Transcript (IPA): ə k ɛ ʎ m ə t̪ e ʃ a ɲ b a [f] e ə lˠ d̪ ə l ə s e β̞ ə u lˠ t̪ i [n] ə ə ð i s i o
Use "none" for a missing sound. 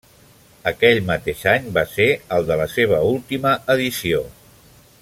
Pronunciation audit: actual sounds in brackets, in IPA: s, m

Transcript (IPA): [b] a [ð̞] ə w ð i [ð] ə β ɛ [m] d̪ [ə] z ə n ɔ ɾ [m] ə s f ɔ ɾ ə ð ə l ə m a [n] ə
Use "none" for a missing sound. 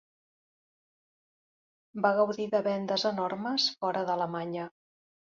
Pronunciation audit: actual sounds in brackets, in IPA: b, ɣ̞, ð, n, ə, m, ɲ

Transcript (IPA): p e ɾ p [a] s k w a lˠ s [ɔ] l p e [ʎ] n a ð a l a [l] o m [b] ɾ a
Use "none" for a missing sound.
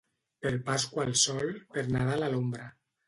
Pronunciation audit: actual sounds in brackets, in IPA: a, ɔ, ɾ, l, b

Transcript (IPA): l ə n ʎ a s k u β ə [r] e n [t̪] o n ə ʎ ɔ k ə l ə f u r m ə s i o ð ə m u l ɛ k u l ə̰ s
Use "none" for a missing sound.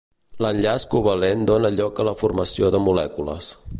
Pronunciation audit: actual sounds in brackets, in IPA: l, d̪

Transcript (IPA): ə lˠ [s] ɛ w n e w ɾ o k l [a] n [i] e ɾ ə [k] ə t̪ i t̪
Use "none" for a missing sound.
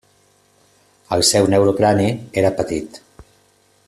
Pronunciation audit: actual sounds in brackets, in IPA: s, a, i, p

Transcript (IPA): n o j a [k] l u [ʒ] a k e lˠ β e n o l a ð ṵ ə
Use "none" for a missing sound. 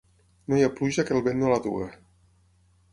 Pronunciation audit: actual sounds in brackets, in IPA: p, ʒ

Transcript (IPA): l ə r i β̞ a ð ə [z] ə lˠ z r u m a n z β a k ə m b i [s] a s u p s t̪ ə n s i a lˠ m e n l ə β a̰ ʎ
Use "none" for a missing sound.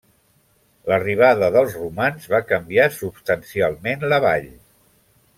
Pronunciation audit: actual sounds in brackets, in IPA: ð, none

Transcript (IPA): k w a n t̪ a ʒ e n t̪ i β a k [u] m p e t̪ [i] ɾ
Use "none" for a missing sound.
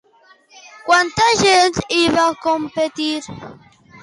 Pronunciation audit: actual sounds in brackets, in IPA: o, i

